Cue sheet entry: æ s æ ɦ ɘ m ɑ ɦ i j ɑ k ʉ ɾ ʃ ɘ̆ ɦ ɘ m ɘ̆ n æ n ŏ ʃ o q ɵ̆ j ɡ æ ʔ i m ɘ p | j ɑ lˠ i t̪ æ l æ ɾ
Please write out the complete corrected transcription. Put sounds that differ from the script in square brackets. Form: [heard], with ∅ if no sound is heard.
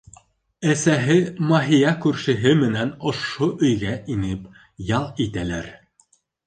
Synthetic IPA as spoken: æ s æ ɦ ɘ m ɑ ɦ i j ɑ k ʉ ɾ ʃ ɘ̆ ɦ ɘ m ɘ̆ n æ n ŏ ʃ o [ʔ] ɵ̆ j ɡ æ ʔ i [n] ɘ p | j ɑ lˠ i t̪ æ l æ ɾ